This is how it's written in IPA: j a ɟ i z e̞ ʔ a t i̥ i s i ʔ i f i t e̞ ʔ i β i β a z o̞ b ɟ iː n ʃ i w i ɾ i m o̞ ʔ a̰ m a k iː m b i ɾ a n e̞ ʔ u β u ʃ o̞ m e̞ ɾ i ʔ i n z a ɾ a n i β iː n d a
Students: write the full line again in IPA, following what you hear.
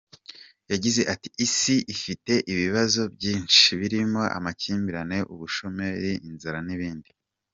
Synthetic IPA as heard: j a ɟ i z e̞ ʔ a t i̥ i s i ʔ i f i t e̞ ʔ i β i β a z o̞ b ɟ iː n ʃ i β i ɾ i m o̞ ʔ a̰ m a c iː m b i ɾ a n e̞ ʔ u β u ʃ o̞ m e̞ ɾ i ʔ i n z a ɾ a n i β iː n d i